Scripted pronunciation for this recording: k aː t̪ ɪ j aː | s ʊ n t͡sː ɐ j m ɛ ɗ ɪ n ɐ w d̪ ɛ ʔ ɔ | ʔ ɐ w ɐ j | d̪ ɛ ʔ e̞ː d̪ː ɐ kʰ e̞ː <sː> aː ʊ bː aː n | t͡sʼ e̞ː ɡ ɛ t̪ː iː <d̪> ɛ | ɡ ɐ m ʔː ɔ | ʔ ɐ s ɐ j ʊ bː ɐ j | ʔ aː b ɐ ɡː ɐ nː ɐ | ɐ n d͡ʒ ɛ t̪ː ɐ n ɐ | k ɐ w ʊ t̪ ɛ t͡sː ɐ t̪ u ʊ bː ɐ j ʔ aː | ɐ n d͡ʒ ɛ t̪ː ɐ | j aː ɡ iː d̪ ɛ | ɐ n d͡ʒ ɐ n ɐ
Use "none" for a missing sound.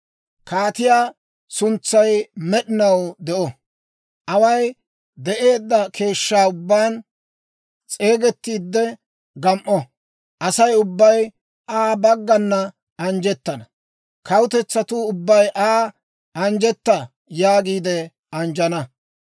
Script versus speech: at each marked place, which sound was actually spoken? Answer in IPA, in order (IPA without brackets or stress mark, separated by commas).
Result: ʃː, d̪ː